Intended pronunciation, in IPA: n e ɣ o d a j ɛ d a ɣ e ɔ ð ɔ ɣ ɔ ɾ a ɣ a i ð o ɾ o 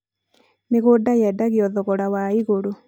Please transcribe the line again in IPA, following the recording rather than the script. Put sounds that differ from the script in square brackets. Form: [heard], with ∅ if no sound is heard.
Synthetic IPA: n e ɣ o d a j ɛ d a ɣ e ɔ ð ɔ ɣ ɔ ɾ a [w] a i [ɣ] o ɾ o